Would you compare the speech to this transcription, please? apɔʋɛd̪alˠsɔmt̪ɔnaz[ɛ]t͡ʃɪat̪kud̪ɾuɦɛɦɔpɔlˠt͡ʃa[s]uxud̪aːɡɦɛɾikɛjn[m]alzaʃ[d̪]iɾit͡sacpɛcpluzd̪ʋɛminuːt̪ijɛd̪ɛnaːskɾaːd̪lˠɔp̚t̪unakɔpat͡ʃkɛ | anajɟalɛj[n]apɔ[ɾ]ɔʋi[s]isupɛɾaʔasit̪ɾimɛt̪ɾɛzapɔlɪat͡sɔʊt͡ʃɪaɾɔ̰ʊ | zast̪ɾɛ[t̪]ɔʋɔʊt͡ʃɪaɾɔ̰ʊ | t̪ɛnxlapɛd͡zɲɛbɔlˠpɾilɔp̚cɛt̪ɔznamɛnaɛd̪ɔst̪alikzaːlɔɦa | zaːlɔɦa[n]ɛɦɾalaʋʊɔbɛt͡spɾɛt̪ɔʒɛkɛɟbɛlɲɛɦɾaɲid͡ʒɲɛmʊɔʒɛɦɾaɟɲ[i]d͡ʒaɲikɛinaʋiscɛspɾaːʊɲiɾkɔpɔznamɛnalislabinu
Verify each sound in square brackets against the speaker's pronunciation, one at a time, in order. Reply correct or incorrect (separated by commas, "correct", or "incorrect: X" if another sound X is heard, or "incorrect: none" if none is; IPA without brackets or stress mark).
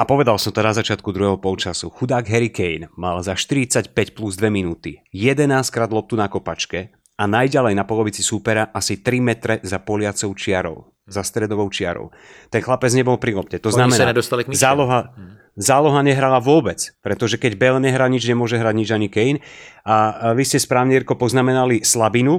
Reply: incorrect: a, correct, correct, incorrect: t̪, correct, incorrect: l, incorrect: t͡s, incorrect: d̪, incorrect: ɲ, correct